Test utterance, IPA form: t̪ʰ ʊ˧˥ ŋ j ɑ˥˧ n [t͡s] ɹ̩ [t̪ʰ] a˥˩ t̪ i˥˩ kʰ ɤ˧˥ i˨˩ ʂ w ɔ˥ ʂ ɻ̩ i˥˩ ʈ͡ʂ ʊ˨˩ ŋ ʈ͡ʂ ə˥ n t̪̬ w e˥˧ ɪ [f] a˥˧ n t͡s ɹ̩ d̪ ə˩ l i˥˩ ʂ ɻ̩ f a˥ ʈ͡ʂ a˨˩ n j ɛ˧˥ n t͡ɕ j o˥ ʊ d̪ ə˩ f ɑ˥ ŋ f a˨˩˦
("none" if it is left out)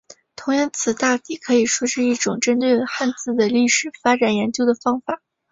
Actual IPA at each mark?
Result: t͡sʰ, t̪, x

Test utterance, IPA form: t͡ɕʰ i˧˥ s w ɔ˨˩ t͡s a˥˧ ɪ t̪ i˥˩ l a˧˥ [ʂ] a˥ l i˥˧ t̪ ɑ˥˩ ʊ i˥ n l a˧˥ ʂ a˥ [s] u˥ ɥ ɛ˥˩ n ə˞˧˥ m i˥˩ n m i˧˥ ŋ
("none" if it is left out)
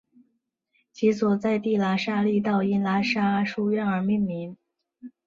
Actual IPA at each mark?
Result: ʂ, ʂ

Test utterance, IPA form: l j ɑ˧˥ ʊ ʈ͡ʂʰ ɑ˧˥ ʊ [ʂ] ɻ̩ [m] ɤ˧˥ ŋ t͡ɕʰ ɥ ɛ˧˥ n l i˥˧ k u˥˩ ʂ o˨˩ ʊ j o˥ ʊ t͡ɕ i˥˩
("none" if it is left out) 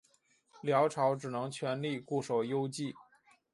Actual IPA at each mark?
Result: ʈ͡ʂ, n

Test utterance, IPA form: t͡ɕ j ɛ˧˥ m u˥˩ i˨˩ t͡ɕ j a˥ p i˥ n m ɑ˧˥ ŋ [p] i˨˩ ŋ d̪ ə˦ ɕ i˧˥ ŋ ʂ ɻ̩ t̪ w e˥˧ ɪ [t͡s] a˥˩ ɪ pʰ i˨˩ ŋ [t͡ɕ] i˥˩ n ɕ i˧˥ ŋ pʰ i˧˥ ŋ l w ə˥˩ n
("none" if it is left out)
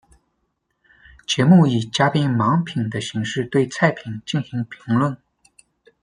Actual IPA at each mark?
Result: pʰ, t͡sʰ, t͡ɕ

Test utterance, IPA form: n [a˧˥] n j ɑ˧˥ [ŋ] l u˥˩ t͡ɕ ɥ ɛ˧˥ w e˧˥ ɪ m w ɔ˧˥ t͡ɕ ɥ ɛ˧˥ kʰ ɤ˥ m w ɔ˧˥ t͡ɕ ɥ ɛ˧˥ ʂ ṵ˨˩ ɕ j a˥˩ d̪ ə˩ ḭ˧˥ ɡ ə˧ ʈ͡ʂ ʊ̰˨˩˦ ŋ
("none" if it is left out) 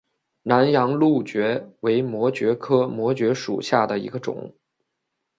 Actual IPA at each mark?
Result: a˧˥, ŋ

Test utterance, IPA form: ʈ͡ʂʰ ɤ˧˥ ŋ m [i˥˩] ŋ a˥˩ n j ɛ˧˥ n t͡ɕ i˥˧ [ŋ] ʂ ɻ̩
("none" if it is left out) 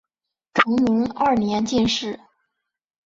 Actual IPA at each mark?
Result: i˧˥, n

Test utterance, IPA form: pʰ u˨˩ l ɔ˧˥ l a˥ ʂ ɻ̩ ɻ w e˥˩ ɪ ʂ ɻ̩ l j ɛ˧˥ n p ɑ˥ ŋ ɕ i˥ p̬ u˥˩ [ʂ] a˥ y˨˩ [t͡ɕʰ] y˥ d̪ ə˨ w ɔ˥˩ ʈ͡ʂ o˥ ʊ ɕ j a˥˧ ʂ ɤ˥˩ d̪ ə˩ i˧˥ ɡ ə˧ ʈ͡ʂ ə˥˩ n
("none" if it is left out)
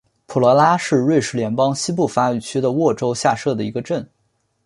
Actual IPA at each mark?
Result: f, t͡ɕʰ

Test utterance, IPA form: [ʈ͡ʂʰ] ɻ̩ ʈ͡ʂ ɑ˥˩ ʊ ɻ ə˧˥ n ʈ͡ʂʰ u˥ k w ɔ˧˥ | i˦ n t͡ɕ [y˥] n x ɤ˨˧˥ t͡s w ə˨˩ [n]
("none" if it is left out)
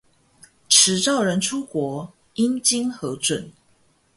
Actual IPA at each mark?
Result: ʈ͡ʂʰ, i˥, n

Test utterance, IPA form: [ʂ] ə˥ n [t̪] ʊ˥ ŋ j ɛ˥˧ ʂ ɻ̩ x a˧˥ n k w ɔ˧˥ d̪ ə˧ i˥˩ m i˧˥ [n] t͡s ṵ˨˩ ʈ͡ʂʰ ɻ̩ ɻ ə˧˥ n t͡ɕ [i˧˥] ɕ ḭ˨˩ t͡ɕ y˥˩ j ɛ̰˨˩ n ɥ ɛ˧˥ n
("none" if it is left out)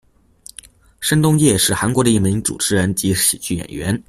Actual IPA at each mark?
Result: ʂ, t̪, ŋ, i˧˥

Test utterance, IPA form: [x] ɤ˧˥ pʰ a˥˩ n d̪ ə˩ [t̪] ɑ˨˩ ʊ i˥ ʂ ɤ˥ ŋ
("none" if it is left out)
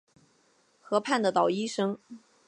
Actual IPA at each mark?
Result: x, t̪

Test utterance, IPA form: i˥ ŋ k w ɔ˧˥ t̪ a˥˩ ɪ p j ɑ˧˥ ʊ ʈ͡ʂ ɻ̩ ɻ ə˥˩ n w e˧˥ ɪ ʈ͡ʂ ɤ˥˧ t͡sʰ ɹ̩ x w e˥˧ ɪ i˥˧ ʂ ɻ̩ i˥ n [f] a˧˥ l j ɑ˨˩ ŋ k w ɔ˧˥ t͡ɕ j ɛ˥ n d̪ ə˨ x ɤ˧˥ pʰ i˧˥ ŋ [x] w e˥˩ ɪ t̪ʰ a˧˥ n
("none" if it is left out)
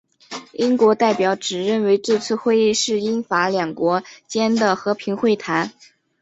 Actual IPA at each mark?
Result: f, x

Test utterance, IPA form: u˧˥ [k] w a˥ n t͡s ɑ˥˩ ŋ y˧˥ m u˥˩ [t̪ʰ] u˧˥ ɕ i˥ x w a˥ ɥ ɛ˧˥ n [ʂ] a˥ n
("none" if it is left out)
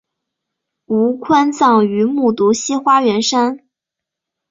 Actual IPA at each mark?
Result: kʰ, t̪, ʂ

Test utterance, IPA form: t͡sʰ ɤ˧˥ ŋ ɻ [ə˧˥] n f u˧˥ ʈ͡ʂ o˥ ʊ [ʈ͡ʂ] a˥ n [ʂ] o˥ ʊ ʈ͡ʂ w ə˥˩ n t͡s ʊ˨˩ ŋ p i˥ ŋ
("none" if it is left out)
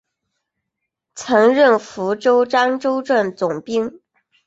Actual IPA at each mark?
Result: ə˥˩, ʈ͡ʂ, ʈ͡ʂ

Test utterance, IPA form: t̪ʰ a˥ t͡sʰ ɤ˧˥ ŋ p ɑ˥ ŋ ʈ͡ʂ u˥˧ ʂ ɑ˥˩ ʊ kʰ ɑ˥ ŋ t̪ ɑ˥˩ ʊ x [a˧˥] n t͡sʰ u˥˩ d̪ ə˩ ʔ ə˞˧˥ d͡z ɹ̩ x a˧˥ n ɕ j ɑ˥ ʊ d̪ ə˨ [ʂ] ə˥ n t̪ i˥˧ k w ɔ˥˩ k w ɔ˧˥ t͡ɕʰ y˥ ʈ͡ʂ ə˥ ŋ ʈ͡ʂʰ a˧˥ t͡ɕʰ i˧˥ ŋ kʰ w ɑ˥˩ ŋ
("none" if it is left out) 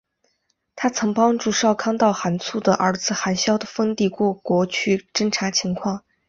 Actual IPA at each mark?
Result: a˧˥, f

